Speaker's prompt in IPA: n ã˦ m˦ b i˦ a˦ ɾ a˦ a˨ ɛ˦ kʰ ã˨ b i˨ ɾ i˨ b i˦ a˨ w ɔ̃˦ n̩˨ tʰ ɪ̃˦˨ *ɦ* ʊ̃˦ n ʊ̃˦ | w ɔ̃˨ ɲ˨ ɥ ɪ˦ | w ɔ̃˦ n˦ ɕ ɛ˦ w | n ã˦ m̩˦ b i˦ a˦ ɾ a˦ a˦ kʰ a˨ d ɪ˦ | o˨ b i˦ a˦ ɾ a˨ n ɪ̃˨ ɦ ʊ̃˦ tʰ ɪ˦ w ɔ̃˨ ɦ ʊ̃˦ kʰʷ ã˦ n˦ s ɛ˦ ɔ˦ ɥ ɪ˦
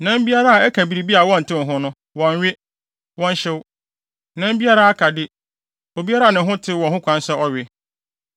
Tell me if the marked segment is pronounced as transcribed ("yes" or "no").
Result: yes